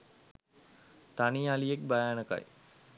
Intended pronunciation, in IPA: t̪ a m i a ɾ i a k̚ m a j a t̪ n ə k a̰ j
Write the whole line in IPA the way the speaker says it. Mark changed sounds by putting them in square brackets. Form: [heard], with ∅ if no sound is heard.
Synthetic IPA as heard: t̪ a [n] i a [l] i [e] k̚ [b] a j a [∅] n ə k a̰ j